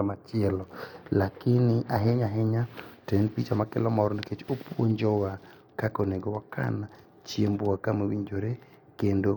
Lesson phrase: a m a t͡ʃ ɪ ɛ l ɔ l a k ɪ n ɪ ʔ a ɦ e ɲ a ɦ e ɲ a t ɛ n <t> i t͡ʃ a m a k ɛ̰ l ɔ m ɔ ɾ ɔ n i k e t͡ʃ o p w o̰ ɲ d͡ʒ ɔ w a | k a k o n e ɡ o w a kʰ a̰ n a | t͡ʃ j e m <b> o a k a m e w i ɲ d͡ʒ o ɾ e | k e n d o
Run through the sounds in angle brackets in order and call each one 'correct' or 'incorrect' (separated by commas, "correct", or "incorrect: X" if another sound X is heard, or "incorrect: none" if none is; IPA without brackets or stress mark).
incorrect: p, correct